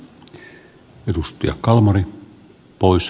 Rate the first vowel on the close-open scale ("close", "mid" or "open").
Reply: mid